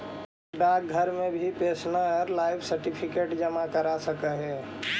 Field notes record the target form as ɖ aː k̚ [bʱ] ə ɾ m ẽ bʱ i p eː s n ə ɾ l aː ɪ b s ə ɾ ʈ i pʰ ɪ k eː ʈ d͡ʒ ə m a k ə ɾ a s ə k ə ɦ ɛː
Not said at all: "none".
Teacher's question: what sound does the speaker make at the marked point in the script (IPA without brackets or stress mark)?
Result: ɡʱ